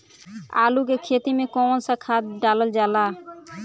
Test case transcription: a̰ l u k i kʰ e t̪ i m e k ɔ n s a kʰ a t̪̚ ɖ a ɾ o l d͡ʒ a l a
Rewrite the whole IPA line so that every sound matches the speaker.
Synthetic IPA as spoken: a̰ l u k e kʰ e t̪ i m e k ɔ n s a kʰ a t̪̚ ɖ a l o l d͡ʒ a l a